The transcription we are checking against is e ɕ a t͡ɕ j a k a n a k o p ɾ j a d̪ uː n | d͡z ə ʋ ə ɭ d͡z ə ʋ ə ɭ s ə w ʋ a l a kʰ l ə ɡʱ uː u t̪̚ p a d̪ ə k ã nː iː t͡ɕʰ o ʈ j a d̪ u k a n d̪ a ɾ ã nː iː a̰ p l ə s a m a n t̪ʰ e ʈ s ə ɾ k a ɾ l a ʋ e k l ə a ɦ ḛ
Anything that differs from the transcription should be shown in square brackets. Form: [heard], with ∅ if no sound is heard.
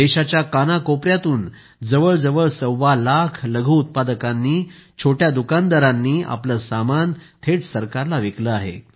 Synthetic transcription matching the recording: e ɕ a t͡ɕ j a k a n a k o p ɾ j a [t̪] uː n | d͡z ə ʋ ə ɭ d͡z ə ʋ ə ɭ s ə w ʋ a l a kʰ l ə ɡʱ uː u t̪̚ p a d̪ ə k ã nː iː t͡ɕʰ o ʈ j a d̪ u k a n d̪ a ɾ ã nː iː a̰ p l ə s a m a n t̪ʰ e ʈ s ə ɾ k a ɾ l a ʋ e k l ə a ɦ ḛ